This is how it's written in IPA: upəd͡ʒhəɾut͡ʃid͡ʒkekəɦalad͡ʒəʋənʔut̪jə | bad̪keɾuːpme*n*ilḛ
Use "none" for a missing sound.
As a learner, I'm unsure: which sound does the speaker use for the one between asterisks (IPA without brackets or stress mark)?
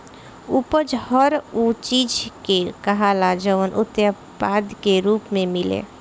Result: m